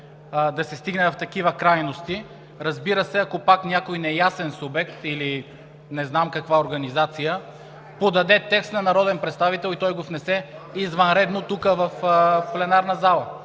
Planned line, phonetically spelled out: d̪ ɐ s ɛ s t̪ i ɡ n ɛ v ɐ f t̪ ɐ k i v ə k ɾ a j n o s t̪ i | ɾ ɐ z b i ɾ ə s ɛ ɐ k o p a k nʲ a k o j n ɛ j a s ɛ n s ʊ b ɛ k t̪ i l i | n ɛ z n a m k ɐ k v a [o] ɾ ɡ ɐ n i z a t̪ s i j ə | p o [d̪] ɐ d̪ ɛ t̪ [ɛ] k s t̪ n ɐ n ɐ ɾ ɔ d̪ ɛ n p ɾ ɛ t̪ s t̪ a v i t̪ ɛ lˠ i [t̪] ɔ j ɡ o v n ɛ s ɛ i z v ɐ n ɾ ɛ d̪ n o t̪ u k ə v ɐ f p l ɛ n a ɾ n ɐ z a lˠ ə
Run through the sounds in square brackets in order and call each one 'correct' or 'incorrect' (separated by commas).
correct, correct, correct, correct